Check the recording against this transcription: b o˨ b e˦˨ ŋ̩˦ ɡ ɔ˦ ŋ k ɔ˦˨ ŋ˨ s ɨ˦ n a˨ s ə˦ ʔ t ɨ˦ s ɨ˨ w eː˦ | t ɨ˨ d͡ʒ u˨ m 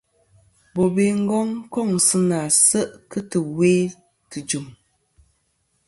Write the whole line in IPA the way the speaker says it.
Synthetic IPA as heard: b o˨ b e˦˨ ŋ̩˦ ɡ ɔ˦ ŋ k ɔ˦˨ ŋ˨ s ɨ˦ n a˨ s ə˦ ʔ k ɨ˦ t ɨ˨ w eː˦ | t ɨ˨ d͡ʒ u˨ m